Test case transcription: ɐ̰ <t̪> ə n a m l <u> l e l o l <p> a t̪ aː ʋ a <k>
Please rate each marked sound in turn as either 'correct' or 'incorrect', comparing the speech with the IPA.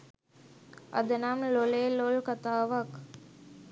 incorrect: d̪, incorrect: o, incorrect: k, correct

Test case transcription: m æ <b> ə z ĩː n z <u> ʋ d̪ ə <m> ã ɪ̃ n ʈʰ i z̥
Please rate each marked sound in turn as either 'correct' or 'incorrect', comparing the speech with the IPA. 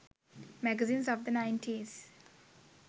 incorrect: ɡ, incorrect: ɔ, incorrect: n

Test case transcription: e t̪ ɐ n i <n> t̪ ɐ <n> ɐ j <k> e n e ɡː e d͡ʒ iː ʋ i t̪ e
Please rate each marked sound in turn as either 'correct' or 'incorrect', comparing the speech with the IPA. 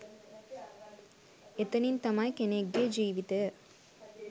correct, incorrect: m, correct

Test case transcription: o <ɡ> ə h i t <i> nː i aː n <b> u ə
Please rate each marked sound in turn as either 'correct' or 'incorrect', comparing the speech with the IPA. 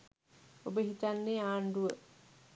incorrect: b, incorrect: a, incorrect: d

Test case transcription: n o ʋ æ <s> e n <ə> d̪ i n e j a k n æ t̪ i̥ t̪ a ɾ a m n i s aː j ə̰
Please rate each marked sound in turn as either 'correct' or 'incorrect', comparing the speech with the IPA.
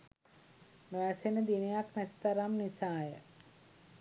correct, correct

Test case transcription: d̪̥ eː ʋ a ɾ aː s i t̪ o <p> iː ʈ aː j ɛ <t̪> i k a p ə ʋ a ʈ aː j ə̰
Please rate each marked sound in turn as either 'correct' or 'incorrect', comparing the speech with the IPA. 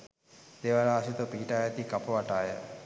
correct, correct

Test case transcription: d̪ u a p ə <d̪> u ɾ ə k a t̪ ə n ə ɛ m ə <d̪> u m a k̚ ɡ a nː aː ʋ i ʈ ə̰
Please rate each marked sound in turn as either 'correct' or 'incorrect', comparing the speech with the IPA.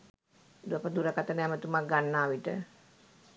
correct, incorrect: t̪

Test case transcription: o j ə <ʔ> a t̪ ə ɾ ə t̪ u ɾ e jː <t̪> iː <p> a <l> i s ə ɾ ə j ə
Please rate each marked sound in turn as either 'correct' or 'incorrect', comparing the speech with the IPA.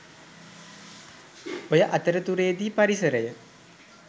correct, incorrect: d̪, correct, incorrect: ɾ

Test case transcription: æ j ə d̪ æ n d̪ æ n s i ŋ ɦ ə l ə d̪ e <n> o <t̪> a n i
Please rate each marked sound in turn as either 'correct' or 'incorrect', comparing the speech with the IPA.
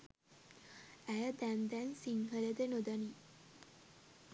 correct, incorrect: d̪

